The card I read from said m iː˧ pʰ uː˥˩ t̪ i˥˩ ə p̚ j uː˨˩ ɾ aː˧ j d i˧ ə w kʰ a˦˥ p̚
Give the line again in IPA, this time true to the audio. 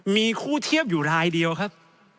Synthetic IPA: m iː˧ kʰ uː˥˩ t̪ʰ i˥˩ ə p̚ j uː˨˩ ɾ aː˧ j d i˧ ə w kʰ a˦˥ p̚